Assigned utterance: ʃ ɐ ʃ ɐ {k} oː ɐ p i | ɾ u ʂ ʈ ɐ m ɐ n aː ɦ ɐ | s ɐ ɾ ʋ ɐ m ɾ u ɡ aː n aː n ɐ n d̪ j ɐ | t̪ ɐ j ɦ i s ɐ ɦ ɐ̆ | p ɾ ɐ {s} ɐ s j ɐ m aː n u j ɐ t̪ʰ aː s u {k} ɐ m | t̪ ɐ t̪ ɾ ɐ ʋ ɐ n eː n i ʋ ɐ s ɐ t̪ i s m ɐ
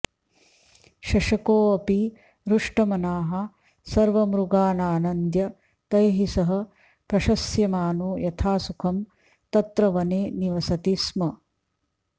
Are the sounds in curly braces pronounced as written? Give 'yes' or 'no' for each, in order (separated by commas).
yes, no, no